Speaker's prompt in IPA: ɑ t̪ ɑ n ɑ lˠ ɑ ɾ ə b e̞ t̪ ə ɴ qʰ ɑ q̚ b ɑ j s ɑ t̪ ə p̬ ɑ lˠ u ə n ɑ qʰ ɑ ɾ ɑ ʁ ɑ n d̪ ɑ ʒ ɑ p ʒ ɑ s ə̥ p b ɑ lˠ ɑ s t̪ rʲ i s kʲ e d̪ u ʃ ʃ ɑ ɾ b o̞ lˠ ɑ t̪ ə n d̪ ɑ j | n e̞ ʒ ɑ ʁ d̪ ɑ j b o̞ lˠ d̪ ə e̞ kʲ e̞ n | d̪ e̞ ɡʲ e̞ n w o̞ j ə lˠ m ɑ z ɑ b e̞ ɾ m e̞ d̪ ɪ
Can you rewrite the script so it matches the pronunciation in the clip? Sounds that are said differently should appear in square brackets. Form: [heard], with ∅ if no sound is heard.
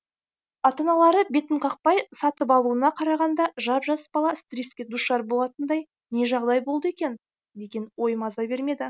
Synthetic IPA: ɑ t̪ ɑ n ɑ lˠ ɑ ɾ ə b e̞ t̪ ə ɴ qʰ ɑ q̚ [p] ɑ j s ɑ t̪ ə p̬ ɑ lˠ u ə n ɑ qʰ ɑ ɾ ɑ ʁ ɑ n d̪ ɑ ʒ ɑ p ʒ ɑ s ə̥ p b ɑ lˠ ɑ s t̪ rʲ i s kʲ e d̪ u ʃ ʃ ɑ ɾ b o̞ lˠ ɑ t̪ ə n d̪ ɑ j | n e̞ ʒ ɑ ʁ d̪ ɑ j b o̞ lˠ d̪ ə e̞ kʲ e̞ n | d̪ e̞ ɡʲ e̞ n w o̞ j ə [∅] m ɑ z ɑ b e̞ ɾ m e̞ d̪ ɪ